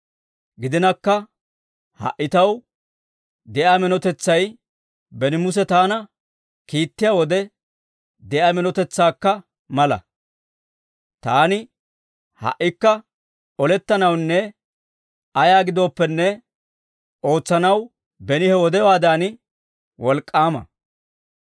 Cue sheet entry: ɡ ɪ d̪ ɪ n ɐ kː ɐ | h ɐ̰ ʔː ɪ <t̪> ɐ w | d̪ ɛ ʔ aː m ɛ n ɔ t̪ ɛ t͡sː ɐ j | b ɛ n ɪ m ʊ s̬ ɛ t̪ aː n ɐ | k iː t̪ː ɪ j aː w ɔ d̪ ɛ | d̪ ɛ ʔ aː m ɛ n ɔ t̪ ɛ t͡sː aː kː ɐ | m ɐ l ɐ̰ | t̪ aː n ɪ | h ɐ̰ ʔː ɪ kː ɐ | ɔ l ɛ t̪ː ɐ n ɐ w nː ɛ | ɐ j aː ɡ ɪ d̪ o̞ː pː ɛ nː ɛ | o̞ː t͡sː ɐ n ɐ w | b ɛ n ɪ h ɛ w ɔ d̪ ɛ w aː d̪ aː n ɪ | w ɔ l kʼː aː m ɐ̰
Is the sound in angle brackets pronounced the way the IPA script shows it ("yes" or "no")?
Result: yes